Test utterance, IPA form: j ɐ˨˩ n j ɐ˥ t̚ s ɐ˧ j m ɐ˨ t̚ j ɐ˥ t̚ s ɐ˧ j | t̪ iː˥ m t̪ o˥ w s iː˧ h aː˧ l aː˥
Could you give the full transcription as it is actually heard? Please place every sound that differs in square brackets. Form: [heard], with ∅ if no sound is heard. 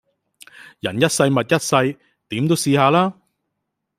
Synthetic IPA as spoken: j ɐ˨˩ n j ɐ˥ t̚ s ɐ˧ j m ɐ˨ t̚ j ɐ˥ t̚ s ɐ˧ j | t̪ [iː˨˥] m t̪ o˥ w s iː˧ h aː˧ l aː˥